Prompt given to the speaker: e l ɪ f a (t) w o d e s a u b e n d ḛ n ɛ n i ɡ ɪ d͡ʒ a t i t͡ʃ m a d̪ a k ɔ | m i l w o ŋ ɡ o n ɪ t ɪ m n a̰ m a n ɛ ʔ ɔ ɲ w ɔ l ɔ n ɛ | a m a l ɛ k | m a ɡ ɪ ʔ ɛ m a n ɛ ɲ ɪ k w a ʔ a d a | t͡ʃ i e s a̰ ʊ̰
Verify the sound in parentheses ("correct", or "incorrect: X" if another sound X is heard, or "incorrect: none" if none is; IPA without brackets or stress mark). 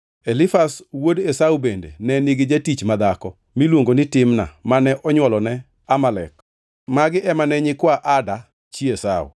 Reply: incorrect: s